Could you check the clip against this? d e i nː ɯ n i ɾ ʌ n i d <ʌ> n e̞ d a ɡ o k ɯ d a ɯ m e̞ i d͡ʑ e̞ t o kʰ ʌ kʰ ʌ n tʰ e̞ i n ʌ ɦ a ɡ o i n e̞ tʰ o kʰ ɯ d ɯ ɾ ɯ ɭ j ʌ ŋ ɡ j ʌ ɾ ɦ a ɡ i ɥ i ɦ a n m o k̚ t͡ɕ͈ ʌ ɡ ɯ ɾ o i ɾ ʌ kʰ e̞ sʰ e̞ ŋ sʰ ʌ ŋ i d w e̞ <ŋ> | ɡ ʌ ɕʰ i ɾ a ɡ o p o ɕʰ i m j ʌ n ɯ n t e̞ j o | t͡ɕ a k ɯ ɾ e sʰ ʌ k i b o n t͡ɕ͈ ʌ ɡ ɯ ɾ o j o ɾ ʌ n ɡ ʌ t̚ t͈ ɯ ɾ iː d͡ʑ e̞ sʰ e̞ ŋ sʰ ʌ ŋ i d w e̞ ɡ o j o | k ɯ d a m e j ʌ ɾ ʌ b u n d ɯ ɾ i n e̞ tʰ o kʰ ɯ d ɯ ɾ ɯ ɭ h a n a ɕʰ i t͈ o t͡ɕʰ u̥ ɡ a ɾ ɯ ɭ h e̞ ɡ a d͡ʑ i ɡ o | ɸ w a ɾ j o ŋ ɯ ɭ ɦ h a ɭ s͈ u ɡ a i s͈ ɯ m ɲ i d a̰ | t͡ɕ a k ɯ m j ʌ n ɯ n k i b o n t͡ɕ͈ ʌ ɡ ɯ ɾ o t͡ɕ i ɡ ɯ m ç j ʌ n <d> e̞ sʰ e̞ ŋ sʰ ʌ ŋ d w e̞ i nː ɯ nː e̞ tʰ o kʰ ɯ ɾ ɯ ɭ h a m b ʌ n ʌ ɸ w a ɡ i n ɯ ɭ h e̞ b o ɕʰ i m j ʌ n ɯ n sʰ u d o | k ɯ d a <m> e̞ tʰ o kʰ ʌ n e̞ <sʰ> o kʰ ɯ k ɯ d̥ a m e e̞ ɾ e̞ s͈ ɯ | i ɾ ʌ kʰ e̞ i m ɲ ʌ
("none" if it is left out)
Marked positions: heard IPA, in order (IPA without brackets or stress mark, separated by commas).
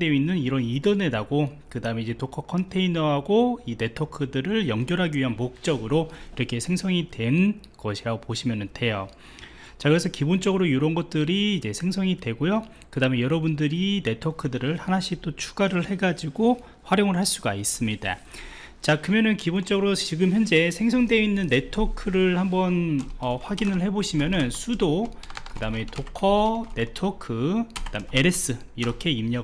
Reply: ʌ, n, d͡ʑ, m, tʰ